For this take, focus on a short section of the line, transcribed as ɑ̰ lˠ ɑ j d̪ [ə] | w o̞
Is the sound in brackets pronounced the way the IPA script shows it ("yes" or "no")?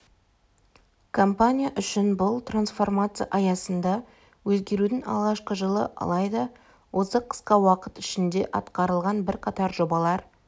no